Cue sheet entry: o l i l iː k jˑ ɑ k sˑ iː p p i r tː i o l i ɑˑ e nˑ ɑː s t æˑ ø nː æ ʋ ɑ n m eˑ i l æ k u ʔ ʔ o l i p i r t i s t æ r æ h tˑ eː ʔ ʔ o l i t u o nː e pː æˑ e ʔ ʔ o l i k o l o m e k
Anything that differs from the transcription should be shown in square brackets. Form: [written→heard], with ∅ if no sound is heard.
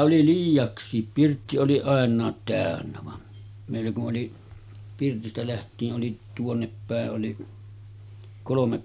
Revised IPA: o l i l iː [k→∅] jˑ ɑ k sˑ iː p p i r tː i o l i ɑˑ e nˑ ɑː [s→t] t æˑ ø nː æ ʋ ɑ n m eˑ i [l→lː] æ k u ʔ ʔ o l i p i r t i s t æ [r→l] æ h tˑ [eː→iː] ʔ ʔ o l i t u o nː e pː æˑ e ʔ ʔ o l i k o l o m e k